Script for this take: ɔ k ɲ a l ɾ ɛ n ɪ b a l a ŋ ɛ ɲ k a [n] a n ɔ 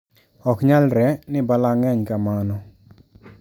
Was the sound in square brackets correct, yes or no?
no